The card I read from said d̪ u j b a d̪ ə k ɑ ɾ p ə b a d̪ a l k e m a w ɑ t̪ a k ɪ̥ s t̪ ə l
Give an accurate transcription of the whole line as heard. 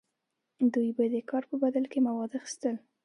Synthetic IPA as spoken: d̪ u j b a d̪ ə k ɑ ɾ p ə b a d̪ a l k e m a w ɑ d̪ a x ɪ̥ s t̪ ə l